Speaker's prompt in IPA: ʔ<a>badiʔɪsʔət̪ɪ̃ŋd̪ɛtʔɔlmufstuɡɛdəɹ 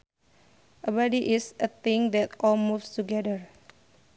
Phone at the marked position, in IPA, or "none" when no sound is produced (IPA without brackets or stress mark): ə